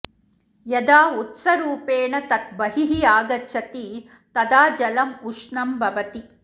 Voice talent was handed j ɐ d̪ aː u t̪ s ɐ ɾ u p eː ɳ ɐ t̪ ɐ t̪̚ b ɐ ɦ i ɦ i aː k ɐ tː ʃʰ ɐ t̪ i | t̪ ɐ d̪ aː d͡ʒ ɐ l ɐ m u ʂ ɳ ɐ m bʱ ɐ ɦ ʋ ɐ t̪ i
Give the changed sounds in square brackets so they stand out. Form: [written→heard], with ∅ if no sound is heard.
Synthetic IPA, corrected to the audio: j ɐ d̪ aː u t̪ s ɐ ɾ [u→uː] p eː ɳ ɐ t̪ ɐ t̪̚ b ɐ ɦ i ɦ i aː [k→ɡ] ɐ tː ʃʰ ɐ t̪ i | t̪ ɐ d̪ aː d͡ʒ ɐ l ɐ m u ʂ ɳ ɐ m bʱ ɐ [ɦ→∅] ʋ ɐ t̪ i